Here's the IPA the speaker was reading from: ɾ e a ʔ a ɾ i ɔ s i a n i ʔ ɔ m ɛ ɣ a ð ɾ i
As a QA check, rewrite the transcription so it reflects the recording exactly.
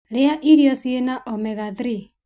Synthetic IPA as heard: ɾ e a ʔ i ɾ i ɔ s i e n a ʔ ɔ m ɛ ɣ a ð ɾ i